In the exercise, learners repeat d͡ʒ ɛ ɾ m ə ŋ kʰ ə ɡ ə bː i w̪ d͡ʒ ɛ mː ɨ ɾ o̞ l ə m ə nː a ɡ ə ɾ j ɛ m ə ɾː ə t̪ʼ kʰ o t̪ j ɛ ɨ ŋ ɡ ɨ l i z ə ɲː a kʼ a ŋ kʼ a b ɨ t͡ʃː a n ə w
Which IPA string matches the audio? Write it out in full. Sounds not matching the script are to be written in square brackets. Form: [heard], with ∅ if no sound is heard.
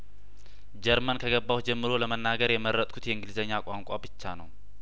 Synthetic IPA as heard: d͡ʒ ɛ ɾ m ə [n] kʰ ə ɡ ə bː [a] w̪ d͡ʒ ɛ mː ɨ ɾ o̞ l ə m ə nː a ɡ ə ɾ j ɛ m ə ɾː ə t̪ʼ kʰ [u] t̪ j ɛ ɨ ŋ ɡ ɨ l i z ə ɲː a kʼ a ŋ kʼ a b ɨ t͡ʃː a n ə w